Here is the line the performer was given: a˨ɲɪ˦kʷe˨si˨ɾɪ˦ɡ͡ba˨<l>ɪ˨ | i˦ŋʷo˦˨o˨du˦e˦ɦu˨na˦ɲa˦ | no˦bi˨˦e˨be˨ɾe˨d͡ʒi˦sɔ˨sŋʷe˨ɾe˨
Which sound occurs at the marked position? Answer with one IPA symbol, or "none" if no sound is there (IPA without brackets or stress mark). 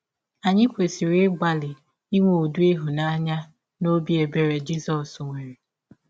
l